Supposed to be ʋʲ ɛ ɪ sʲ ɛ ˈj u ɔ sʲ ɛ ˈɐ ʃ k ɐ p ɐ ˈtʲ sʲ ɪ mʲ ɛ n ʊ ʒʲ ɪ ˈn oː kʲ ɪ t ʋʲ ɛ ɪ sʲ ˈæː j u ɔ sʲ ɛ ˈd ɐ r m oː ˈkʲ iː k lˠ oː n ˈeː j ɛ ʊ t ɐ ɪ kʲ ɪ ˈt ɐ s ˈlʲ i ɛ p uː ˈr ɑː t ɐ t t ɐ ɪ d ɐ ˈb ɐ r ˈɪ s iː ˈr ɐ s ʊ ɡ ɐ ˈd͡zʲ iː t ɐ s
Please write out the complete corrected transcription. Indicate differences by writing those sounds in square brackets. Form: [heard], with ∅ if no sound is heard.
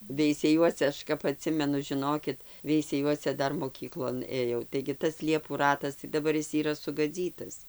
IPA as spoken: ʋʲ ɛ ɪ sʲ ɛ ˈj u ɔ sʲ ɛ ˈɐ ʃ k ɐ p ɐ ˈtʲ sʲ ɪ mʲ ɛ n ʊ ʒʲ ɪ ˈn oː kʲ ɪ t ʋʲ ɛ ɪ sʲ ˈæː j u ɔ sʲ ɛ ˈd ɐ r m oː ˈkʲ iː k lˠ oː n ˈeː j ɛ ʊ t ɐ ɪ [ɡʲ] ɪ ˈt ɐ s ˈlʲ i ɛ p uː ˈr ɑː t ɐ [s] t ɐ ɪ d ɐ ˈb ɐ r ˈɪ s iː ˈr ɐ s ʊ ɡ ɐ ˈd͡zʲ iː t ɐ s